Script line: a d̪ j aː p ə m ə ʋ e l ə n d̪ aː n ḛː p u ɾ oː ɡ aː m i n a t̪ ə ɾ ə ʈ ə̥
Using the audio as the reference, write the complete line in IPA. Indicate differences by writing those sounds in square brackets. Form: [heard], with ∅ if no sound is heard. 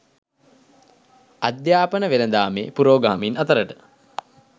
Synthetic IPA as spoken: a d̪ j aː p ə [n] ə ʋ e l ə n d̪ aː [m] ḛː p u ɾ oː ɡ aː m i n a t̪ ə ɾ ə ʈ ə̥